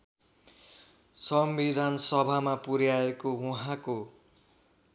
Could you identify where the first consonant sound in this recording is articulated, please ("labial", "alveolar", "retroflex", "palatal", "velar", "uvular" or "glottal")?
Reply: alveolar